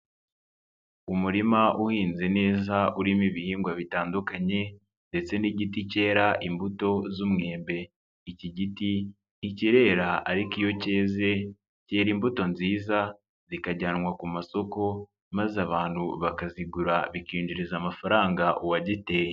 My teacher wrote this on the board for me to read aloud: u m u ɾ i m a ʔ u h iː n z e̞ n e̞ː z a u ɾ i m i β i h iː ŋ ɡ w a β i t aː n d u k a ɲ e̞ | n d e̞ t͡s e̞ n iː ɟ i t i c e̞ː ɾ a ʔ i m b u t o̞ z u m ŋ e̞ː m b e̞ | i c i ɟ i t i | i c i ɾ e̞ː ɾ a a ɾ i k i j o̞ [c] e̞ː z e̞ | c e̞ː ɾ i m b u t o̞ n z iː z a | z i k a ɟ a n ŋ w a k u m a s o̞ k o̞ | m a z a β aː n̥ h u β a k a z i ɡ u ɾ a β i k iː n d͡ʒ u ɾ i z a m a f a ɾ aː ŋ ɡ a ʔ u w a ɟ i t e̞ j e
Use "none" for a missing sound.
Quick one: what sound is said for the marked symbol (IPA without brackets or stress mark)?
c